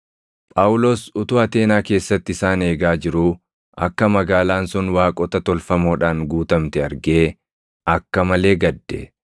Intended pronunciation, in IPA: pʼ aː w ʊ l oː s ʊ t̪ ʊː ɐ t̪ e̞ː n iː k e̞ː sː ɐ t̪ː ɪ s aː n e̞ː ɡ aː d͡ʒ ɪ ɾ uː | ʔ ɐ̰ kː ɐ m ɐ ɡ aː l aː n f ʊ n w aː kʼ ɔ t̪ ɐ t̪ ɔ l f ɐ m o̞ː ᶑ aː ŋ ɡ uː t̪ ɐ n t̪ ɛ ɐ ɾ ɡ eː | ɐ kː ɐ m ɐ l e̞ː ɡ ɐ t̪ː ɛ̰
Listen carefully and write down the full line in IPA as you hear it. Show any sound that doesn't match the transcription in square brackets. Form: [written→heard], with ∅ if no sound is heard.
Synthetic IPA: pʼ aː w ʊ l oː s ʊ t̪ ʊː ɐ t̪ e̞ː n [iː→aː] k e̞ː sː ɐ t̪ː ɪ s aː n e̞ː ɡ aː d͡ʒ ɪ ɾ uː | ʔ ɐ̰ kː ɐ m ɐ ɡ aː l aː n [f→s] ʊ n w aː kʼ ɔ t̪ ɐ t̪ ɔ l f ɐ m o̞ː ᶑ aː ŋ ɡ uː t̪ ɐ [n→m] t̪ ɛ ɐ ɾ ɡ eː | ɐ kː ɐ m ɐ l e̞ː ɡ ɐ [t̪ː→d̪ː] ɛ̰

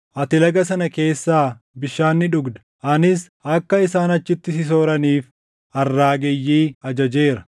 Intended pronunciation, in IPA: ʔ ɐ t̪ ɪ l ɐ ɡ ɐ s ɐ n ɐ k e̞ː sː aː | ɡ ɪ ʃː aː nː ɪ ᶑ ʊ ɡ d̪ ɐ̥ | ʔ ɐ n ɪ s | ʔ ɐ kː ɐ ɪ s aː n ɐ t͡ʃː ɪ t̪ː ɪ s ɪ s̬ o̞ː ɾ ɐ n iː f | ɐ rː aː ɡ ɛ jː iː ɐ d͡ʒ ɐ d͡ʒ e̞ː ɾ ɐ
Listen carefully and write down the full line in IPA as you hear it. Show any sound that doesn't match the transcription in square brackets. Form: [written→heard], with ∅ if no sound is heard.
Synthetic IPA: ʔ ɐ t̪ ɪ l ɐ ɡ ɐ s ɐ n ɐ k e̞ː sː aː | [ɡ→b] ɪ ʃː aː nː ɪ ᶑ ʊ ɡ d̪ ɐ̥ | ʔ ɐ n ɪ s | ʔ ɐ kː ɐ ɪ s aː n ɐ t͡ʃː ɪ t̪ː ɪ s ɪ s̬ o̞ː ɾ ɐ n iː f | ɐ rː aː ɡ ɛ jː iː ɐ d͡ʒ ɐ d͡ʒ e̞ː ɾ ɐ

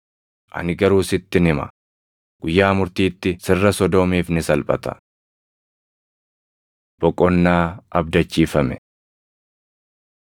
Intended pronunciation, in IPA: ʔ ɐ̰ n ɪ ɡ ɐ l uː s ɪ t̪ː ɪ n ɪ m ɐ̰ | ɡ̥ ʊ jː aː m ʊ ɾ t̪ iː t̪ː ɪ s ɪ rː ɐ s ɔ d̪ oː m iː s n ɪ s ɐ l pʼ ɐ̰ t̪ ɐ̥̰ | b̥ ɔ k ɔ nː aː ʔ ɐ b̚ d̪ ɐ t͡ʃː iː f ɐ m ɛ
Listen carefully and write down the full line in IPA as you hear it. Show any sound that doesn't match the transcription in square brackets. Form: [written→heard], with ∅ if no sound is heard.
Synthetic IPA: ʔ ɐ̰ n ɪ ɡ ɐ [l→ɾ] uː s ɪ t̪ː ɪ n ɪ m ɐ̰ | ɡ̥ ʊ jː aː m ʊ ɾ t̪ iː t̪ː ɪ s ɪ rː ɐ s ɔ d̪ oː m iː [s→f] n ɪ s ɐ l pʼ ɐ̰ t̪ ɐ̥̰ | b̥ ɔ [k→kʼ] ɔ nː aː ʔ ɐ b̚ d̪ ɐ t͡ʃː iː f ɐ m ɛ

